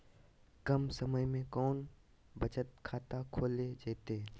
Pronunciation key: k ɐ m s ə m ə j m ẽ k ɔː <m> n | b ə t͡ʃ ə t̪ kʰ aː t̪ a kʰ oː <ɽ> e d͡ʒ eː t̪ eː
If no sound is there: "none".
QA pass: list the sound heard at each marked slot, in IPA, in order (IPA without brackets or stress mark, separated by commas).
none, l